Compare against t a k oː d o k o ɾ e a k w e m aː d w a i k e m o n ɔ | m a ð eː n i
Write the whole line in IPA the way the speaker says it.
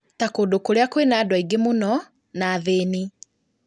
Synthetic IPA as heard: t a k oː d o k o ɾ e a k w e n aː d w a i ɡ e m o n ɔ | n a ð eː n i